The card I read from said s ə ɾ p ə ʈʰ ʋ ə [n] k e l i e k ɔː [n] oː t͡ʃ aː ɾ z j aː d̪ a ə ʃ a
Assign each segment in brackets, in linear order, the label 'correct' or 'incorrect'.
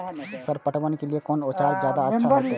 correct, correct

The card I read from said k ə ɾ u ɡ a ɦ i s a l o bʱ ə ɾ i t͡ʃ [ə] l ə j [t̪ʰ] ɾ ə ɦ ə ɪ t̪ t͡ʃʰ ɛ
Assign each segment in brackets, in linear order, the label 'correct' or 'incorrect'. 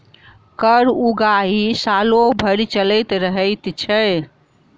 correct, incorrect

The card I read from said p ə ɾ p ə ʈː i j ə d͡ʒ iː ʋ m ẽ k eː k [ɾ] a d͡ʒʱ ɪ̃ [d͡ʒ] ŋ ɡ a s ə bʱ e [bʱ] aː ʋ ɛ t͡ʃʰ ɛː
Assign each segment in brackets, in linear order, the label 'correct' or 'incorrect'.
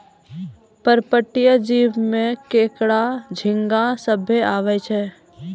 incorrect, incorrect, incorrect

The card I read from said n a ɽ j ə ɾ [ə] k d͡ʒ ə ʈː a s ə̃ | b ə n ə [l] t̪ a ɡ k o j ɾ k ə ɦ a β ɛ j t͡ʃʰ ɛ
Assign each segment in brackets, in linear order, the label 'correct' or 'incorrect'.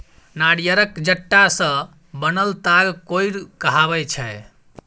correct, correct

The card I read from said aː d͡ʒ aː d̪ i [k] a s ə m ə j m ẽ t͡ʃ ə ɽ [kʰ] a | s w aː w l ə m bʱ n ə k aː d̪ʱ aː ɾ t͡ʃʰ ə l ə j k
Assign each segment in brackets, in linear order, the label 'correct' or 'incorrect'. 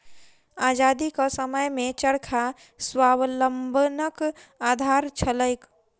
correct, correct

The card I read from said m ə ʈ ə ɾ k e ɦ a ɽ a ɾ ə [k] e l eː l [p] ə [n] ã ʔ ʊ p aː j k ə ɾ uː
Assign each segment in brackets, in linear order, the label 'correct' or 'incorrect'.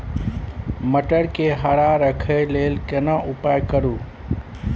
incorrect, incorrect, correct

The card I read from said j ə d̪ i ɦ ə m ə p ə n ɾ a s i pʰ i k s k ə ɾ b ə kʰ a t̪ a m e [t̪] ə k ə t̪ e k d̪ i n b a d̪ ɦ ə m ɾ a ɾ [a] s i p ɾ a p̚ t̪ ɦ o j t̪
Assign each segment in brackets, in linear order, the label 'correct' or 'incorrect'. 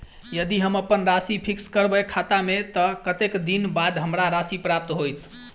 correct, correct

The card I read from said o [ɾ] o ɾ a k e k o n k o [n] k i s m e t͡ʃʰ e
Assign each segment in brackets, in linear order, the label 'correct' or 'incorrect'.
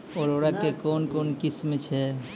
correct, correct

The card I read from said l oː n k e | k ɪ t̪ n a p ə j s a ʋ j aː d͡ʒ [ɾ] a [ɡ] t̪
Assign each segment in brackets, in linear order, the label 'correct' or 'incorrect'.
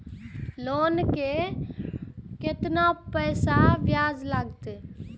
incorrect, correct

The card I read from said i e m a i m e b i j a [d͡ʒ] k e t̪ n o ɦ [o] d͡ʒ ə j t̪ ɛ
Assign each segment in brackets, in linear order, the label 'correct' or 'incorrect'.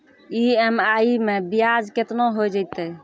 correct, correct

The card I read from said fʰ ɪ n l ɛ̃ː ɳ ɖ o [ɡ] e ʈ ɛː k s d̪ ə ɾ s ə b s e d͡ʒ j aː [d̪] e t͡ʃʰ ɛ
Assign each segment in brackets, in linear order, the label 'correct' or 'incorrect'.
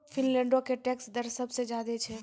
incorrect, correct

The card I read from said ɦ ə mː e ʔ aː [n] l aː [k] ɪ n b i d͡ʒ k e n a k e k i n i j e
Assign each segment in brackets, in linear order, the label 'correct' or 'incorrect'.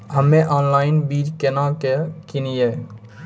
correct, incorrect

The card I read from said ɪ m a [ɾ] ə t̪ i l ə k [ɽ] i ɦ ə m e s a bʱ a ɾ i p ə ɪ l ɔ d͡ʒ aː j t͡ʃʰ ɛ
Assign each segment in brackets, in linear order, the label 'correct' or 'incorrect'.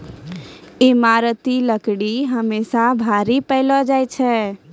correct, correct

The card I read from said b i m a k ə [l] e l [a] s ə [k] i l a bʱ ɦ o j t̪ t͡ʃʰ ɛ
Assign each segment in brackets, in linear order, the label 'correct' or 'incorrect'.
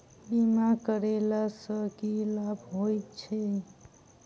incorrect, correct, correct

